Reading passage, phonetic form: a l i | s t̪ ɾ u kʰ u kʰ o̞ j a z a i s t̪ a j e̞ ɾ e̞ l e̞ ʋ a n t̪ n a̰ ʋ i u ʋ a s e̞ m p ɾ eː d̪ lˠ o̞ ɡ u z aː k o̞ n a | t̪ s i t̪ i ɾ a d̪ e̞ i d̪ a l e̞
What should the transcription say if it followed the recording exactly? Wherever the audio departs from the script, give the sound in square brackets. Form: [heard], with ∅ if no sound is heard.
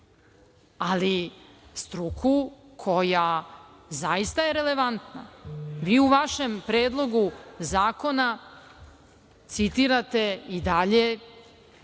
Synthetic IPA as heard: a l i | s t̪ ɾ u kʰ u kʰ o̞ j a z a i s t̪ a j e̞ ɾ e̞ l e̞ ʋ a n t̪ n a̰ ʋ [iː] u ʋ a [ʃ] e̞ m p ɾ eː d̪ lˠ o̞ ɡ u z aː k o̞ n a | t̪ s i t̪ i ɾ a [t̪] e̞ i d̪ a [ʎ] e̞

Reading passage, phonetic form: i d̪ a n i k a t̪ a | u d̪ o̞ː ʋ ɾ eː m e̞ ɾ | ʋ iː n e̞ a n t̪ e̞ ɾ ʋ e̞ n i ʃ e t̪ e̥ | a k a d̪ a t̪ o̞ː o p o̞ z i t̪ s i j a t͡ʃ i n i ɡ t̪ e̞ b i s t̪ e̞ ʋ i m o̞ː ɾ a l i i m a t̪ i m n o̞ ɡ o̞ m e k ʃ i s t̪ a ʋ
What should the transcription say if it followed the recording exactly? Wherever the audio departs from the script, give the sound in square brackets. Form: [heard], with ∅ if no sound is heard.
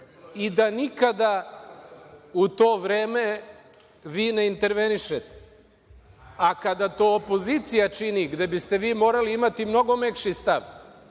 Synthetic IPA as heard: i d̪ a n i k a [d̪] a | u [t̪] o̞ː ʋ ɾ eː m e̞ [∅] | ʋ iː n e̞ [i] n t̪ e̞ ɾ ʋ e̞ n i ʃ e t̪ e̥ | a k a d̪ a t̪ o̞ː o p o̞ z i t̪ s i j a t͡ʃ i n i ɡ [d̪] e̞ b i s t̪ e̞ ʋ [iː] m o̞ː ɾ a l i i m a t̪ i m n o̞ ɡ o̞ m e k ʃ i s t̪ a ʋ

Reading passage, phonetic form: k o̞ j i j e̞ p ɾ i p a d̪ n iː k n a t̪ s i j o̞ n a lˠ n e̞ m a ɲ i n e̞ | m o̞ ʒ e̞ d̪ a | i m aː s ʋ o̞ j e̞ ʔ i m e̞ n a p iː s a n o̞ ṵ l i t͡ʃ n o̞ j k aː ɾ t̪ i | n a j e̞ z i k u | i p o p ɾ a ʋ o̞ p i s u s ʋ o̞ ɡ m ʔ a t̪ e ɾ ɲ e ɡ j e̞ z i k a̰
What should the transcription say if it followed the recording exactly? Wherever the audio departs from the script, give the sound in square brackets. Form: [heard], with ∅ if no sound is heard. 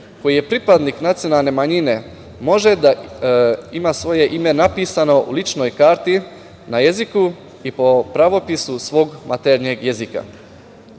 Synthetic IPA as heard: k o̞ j i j e̞ p ɾ i p a d̪ n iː k n a t̪ s i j o̞ n a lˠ n e̞ m a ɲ i n e̞ | m o̞ ʒ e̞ d̪ a | i m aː s ʋ o̞ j e̞ ʔ i m e̞ n a p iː s a n o̞ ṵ l i t͡ʃ n o̞ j k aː ɾ t̪ i | n a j e̞ z i k u | i p o p ɾ a ʋ o̞ p i s u s ʋ o̞ ɡ m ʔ a t̪ e ɾ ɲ e ɡ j e̞ z i k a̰

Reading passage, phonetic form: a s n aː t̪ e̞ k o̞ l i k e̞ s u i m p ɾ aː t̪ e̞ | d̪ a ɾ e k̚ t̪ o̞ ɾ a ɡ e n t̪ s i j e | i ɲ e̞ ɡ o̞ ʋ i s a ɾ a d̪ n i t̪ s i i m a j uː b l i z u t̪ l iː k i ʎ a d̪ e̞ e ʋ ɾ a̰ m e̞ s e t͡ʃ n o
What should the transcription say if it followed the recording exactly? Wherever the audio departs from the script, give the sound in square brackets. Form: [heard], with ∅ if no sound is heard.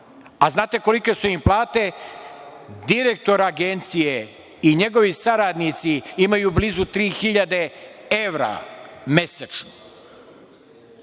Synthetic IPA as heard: a [z] n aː t̪ e̞ k o̞ l i k e̞ s u i m p [l] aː t̪ e̞ | d̪ [i] ɾ e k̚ t̪ o̞ ɾ a ɡ e n t̪ s i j e | i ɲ e̞ ɡ o̞ ʋ i s a ɾ a d̪ n i t̪ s i i m a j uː b l i z u t̪ [ɾ] iː [x] i ʎ a d̪ e̞ e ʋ ɾ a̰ m e̞ s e t͡ʃ n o

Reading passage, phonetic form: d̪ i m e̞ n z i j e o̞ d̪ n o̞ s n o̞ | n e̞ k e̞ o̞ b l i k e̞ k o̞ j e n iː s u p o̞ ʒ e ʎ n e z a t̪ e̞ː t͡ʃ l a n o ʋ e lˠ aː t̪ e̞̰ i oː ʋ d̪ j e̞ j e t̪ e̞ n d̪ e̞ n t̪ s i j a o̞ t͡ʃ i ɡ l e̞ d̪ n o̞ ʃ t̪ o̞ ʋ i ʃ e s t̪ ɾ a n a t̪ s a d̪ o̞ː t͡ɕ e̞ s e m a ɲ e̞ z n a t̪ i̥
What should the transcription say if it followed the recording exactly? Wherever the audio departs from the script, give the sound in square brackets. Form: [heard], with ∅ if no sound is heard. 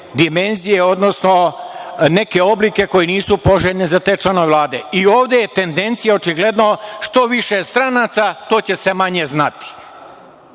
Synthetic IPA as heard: d̪ i m e̞ n z i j e o̞ d̪ n o̞ s n o̞ | n e̞ k e̞ o̞ b l i k e̞ k o̞ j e n iː s u p o̞ ʒ e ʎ n e z a t̪ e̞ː t͡ʃ l a n o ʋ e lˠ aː [d̪] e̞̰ i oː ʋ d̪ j e̞ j e t̪ e̞ n d̪ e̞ n t̪ s i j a o̞ t͡ʃ i ɡ l e̞ d̪ n o̞ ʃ t̪ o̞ ʋ i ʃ e s t̪ ɾ a n a t̪ s a [t̪] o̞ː t͡ɕ e̞ s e m a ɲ e̞ z n a t̪ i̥

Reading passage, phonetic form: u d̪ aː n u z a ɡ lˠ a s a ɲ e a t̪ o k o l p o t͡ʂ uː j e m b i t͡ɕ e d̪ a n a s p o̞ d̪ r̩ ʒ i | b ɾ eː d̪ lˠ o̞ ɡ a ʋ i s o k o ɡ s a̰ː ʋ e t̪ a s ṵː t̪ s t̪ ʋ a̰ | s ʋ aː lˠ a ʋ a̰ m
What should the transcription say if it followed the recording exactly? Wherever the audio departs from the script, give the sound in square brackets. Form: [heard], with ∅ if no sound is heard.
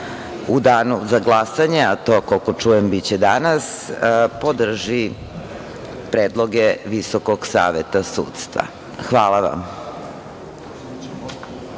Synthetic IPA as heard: u d̪ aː n u z a ɡ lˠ a s a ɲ e a t̪ o k o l [k] o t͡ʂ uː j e m b i t͡ɕ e d̪ a n a s p o̞ d̪ r̩ ʒ i | [p] ɾ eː d̪ lˠ o̞ ɡ [e] ʋ i s o k o ɡ s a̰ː ʋ e t̪ a s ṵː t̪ s t̪ ʋ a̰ | [x] ʋ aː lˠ a ʋ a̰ m

